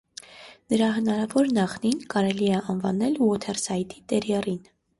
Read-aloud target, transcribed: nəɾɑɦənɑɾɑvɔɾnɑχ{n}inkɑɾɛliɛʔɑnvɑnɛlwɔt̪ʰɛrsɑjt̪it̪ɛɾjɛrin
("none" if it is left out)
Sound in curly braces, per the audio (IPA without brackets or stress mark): n